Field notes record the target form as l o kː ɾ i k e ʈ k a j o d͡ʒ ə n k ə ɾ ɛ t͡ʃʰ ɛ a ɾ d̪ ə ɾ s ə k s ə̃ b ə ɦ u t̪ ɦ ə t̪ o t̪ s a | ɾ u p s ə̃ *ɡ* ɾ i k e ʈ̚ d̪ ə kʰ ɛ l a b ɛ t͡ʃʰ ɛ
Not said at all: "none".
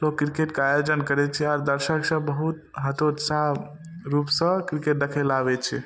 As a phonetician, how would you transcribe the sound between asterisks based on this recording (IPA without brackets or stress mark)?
k